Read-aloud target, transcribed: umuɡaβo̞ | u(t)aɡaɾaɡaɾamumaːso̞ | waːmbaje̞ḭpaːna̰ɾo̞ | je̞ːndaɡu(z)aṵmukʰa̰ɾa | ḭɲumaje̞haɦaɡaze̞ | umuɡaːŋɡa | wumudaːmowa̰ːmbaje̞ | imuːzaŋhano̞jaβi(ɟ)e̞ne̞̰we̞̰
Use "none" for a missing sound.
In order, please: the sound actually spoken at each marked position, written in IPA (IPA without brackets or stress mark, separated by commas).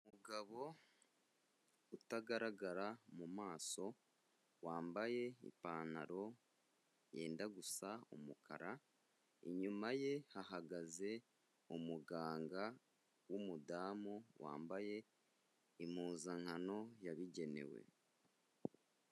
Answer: t, s, ɟ